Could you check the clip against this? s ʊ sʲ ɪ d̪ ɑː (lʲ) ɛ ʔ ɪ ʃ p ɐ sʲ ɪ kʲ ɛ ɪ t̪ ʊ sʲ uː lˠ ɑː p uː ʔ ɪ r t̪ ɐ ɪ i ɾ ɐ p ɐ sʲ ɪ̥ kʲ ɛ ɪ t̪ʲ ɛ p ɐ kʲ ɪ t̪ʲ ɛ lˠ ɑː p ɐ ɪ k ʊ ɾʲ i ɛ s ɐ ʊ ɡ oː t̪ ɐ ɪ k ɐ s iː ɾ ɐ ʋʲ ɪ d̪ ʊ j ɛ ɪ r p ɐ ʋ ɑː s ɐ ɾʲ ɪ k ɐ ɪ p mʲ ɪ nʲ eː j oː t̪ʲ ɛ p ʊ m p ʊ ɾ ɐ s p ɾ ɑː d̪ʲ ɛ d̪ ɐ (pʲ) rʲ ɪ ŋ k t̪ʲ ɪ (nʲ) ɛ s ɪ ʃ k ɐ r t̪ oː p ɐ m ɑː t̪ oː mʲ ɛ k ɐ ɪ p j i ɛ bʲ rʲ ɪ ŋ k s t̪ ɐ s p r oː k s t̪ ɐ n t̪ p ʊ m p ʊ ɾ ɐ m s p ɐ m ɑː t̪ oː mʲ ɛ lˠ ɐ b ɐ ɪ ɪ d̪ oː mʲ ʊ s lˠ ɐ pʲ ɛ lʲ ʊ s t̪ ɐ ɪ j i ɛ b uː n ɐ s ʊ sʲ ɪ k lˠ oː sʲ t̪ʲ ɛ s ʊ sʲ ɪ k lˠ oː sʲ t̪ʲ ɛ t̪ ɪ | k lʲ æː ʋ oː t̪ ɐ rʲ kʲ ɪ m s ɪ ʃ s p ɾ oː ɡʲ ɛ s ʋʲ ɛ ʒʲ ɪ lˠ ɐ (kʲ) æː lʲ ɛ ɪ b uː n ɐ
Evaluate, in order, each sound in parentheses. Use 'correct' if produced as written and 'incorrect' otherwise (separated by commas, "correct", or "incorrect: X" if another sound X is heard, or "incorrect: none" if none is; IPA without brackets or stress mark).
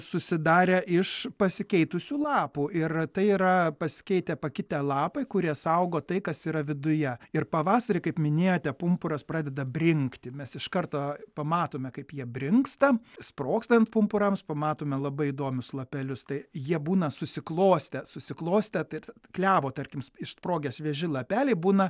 incorrect: ɾʲ, incorrect: bʲ, incorrect: mʲ, incorrect: pʲ